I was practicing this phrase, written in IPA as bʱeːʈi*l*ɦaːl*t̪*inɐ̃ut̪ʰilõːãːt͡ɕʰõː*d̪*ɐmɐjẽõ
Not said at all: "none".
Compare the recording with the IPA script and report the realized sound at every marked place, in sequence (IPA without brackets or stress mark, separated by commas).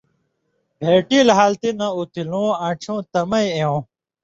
l, t̪, t̪